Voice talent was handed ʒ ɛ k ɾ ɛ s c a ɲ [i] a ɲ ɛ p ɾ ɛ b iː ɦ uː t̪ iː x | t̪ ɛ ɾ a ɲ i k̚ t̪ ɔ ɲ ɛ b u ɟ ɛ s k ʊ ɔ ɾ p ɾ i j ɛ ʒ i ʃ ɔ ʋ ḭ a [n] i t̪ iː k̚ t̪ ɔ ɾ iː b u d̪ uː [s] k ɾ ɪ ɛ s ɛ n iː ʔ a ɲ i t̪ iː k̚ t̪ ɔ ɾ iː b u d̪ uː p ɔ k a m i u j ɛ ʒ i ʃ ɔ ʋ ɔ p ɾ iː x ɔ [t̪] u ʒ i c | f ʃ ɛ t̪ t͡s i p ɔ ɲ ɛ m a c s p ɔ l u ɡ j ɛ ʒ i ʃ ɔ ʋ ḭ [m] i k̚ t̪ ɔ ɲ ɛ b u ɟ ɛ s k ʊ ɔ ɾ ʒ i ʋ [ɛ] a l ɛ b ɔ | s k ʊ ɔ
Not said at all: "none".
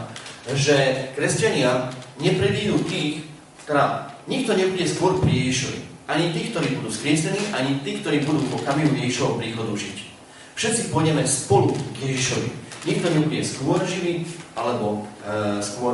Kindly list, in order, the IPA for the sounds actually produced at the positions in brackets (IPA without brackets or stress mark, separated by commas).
ɪ, ɲ, s, d̪, ɲ, i